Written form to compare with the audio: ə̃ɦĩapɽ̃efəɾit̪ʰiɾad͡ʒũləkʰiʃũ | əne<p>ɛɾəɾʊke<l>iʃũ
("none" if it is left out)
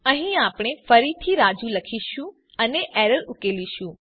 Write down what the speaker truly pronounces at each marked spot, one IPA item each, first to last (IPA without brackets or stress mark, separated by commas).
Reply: ʔ, l